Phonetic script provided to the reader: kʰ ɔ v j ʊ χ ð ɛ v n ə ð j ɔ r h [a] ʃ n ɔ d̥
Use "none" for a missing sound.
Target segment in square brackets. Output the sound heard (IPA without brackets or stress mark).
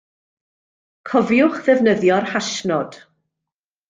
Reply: a